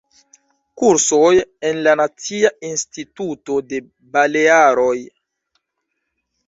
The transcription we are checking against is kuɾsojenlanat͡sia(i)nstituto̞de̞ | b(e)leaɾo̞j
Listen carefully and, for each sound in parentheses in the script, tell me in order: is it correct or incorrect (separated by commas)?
correct, incorrect